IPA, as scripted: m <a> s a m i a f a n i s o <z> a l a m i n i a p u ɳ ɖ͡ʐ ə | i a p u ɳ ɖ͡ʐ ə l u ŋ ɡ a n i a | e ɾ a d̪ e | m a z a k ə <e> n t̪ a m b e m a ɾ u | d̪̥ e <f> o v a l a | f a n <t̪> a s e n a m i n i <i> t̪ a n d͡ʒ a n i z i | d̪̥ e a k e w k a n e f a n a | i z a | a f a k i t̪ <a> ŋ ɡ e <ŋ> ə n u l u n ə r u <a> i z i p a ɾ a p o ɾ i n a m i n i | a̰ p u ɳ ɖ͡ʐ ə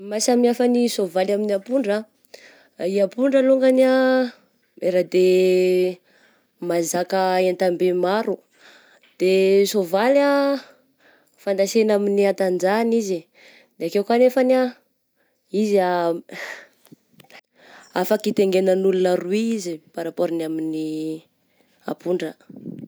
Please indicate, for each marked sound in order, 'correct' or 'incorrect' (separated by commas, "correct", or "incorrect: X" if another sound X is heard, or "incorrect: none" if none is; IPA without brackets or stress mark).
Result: correct, incorrect: v, correct, incorrect: s, incorrect: d̪, incorrect: a, incorrect: e, incorrect: n, incorrect: i